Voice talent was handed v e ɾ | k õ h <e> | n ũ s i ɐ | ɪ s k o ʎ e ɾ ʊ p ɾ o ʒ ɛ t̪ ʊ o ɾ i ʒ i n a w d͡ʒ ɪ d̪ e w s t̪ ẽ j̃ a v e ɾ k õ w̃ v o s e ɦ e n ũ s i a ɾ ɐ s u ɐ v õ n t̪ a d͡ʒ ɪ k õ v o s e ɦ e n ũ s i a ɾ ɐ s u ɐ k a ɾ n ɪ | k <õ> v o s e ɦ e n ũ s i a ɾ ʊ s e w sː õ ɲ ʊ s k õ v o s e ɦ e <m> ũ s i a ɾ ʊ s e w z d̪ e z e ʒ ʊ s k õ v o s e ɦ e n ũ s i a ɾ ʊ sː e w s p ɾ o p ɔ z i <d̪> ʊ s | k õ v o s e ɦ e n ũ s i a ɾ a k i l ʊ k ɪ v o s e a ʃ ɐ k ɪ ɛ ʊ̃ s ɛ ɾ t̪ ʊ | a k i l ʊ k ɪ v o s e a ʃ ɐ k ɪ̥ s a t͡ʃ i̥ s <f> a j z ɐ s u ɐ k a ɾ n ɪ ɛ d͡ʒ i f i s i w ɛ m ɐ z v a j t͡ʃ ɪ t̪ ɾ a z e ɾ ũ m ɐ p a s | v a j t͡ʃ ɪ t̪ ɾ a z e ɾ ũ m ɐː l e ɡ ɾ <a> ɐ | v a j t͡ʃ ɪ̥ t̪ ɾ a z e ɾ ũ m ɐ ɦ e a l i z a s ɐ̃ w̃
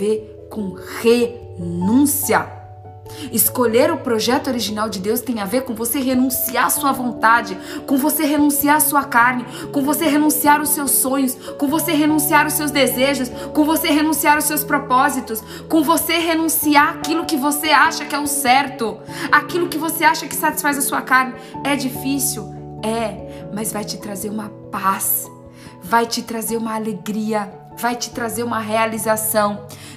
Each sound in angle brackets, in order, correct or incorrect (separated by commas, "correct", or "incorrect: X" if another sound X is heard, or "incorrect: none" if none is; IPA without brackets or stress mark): correct, correct, incorrect: n, incorrect: t̪, correct, incorrect: i